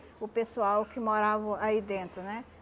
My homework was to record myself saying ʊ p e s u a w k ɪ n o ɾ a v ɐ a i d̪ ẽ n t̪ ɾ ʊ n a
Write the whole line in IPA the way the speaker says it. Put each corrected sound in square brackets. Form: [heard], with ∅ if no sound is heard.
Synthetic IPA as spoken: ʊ p e s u a w k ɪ [m] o ɾ a v ɐ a i d̪ ẽ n t̪ ɾ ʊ n [ɛ]